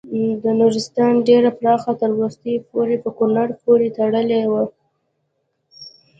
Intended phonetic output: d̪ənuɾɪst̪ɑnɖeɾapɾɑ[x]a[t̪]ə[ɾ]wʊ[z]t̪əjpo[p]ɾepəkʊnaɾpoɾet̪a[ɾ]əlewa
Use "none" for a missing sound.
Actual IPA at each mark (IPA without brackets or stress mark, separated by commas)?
x, t̪, ɾ, s, none, ɽ